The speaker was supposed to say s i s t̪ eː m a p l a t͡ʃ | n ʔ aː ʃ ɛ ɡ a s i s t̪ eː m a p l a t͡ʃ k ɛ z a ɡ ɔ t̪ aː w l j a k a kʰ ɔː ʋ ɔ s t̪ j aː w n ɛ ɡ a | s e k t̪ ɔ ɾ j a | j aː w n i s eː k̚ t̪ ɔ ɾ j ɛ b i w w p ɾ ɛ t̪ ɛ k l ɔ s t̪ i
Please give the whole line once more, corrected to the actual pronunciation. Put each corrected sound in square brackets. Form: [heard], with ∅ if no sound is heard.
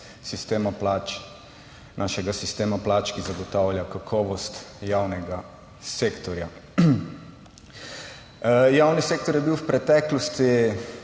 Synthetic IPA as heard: s i s t̪ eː m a p l a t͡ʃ | n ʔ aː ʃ ɛ ɡ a s i s t̪ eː m a p l a t͡ʃ k [i] z a ɡ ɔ t̪ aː w l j a k a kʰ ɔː ʋ ɔ s t̪ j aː w n ɛ ɡ a | s e k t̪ ɔ ɾ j a | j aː w n i s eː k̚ t̪ ɔ ɾ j ɛ b i w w p ɾ ɛ t̪ ɛ k l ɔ s t̪ i